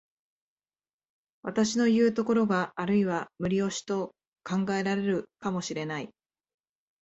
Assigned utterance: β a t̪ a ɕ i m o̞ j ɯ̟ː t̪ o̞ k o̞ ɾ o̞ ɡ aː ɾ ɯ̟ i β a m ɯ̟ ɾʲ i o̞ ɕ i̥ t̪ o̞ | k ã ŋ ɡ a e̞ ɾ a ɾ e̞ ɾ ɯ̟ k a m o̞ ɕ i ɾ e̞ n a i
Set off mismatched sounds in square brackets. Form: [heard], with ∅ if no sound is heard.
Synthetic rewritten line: β a t̪ a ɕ i [n] o̞ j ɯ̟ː t̪ o̞ k o̞ ɾ o̞ ɡ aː ɾ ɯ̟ i β a m ɯ̟ ɾʲ i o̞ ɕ i̥ t̪ o̞ | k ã ŋ ɡ a e̞ ɾ a ɾ e̞ ɾ ɯ̟ k a m o̞ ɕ i ɾ e̞ n a i